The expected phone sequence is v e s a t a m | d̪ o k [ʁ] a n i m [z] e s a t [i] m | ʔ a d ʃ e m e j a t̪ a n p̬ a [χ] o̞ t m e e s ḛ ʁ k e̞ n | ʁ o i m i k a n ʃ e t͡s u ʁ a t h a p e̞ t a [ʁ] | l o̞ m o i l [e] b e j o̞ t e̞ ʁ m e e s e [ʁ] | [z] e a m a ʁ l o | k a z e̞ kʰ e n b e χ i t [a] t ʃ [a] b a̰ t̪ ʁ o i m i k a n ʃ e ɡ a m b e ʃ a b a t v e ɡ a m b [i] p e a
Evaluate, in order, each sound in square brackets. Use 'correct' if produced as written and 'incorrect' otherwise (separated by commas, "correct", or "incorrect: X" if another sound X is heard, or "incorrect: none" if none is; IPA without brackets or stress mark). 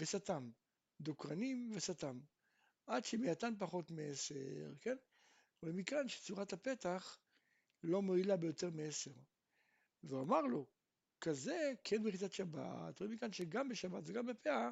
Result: correct, incorrect: v, incorrect: a, correct, incorrect: χ, incorrect: a, correct, incorrect: v, correct, correct, incorrect: e